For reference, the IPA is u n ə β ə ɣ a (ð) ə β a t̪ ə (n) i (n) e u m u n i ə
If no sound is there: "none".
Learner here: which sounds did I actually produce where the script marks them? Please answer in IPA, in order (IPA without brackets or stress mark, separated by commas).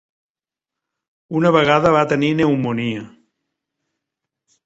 ð, n, n